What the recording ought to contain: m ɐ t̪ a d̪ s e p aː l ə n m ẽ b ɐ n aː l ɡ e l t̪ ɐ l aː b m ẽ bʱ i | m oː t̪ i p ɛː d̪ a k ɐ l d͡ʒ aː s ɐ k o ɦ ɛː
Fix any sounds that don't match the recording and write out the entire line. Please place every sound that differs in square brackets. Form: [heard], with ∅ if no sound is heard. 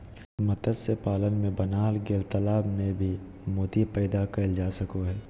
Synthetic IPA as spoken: m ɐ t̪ [ə] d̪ s e p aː l ə n m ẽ b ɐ n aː l ɡ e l t̪ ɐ l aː b m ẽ bʱ i | m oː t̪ i p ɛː d̪ a k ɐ l d͡ʒ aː s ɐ k o ɦ ɛː